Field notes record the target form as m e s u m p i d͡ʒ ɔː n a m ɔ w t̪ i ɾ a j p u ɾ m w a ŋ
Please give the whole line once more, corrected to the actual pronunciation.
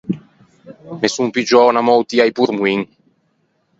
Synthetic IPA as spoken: m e s u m p i d͡ʒ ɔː n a m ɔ w t̪ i a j p u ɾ m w i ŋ